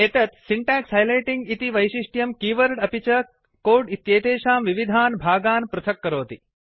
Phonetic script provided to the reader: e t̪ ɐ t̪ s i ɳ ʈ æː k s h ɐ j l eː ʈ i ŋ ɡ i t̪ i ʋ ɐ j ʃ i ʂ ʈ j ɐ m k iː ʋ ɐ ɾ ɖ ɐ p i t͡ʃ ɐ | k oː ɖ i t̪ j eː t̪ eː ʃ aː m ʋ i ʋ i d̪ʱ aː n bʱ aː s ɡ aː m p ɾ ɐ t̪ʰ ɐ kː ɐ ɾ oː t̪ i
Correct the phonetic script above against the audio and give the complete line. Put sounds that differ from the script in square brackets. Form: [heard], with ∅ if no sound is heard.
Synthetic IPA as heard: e t̪ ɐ t̪ s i ɳ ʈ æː k s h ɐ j l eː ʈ i ŋ ɡ i t̪ i ʋ ɐ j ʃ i ʂ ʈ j ɐ m k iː ʋ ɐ ɾ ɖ ɐ p i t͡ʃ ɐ | k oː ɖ i t̪ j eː t̪ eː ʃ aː m ʋ i ʋ i d̪ʱ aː n bʱ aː [∅] ɡ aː [n] p ɾ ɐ t̪ʰ ɐ kː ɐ ɾ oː t̪ i